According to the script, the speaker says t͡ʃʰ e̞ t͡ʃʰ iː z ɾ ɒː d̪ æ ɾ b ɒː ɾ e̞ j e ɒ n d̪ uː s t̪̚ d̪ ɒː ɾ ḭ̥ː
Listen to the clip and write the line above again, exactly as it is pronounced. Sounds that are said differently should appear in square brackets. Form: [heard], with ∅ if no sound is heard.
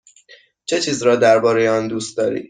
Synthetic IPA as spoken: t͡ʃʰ e̞ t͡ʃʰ iː z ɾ ɒː d̪ æ ɾ b ɒː ɾ e̞ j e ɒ n d̪ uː s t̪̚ d̪ ɒː ɾ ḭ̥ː